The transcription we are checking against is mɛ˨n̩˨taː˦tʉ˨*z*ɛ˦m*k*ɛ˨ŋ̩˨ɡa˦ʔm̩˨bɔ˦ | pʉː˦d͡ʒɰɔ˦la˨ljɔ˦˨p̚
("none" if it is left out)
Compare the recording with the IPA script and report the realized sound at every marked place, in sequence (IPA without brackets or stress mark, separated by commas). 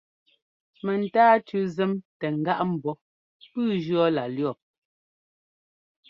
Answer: z, t